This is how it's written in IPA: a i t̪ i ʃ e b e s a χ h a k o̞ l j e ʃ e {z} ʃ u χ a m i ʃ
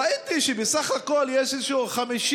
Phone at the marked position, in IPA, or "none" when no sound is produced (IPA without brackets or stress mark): z